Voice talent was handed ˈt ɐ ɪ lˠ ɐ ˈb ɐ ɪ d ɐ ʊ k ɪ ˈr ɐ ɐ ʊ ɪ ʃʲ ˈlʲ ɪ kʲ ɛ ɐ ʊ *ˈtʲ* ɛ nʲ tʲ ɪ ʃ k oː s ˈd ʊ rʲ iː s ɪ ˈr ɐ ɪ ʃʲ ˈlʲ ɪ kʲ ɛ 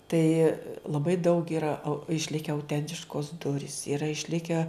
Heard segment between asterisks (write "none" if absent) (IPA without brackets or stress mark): tʲ